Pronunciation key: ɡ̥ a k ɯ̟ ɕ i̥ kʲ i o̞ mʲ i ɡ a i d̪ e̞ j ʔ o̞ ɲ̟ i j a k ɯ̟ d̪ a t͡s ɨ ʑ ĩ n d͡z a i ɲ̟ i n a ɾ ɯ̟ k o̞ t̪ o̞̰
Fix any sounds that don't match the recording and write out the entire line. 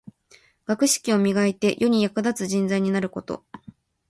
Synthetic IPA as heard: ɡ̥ a k ɯ̟ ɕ i̥ kʲ i o̞ mʲ i ɡ a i t̪ e̞ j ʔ o̞ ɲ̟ i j a k ɯ̟ d̪ a t͡s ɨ ʑ ĩ n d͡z a i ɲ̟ i n a ɾ ɯ̟ k o̞ t̪ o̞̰